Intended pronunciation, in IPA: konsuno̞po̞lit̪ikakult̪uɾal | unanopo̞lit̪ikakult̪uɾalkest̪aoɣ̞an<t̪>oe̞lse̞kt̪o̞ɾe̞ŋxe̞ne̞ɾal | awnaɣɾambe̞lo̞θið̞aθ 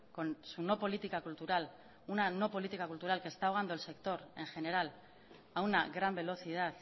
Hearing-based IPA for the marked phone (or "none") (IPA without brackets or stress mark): d̪